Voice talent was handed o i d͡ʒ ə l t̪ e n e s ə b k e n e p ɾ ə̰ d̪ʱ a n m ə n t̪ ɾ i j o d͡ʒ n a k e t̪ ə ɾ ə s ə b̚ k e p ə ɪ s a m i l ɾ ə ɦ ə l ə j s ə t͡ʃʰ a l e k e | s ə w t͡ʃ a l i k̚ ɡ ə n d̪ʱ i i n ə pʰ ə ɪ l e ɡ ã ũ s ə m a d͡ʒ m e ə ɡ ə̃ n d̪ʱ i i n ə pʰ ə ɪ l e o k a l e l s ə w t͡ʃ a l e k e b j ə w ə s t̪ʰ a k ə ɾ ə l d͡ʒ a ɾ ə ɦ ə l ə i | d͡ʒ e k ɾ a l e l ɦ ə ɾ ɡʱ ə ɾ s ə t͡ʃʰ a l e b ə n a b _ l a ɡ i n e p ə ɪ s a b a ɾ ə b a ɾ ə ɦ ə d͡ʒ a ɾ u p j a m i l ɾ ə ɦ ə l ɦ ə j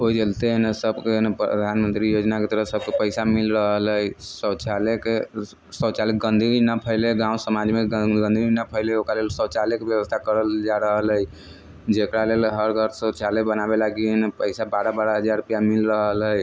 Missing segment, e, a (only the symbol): e